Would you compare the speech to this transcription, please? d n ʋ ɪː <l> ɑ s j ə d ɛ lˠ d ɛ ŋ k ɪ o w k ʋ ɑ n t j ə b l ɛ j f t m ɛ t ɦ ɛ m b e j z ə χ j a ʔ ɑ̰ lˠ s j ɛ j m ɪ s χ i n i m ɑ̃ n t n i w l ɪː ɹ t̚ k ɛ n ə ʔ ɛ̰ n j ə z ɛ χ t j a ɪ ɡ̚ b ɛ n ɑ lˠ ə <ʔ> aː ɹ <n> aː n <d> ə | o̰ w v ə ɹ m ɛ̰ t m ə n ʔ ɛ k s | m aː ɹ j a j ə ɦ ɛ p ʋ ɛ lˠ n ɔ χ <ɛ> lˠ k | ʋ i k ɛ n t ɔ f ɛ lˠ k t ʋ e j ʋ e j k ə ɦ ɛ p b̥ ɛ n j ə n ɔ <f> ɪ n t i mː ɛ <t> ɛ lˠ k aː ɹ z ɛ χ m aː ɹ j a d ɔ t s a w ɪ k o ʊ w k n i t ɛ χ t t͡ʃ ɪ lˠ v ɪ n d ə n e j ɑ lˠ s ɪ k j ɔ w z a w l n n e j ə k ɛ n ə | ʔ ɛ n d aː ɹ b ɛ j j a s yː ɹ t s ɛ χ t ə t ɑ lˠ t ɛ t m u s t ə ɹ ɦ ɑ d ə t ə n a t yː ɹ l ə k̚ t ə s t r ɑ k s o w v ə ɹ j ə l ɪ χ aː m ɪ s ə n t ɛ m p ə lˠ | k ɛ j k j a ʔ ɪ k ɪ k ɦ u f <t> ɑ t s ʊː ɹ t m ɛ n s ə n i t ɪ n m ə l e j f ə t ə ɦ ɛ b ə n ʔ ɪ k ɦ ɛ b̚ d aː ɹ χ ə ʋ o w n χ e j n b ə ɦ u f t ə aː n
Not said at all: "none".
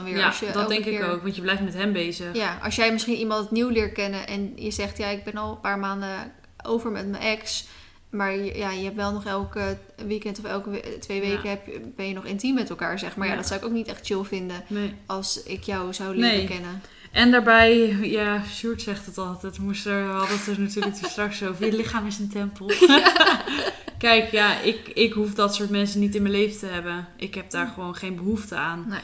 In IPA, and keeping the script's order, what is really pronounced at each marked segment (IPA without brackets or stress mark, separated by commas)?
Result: ɹ, p, m, d, ɛ, χ, t, d